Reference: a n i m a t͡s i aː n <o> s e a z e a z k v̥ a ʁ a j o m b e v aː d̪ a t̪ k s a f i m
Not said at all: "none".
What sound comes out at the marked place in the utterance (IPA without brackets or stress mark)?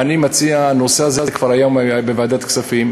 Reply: o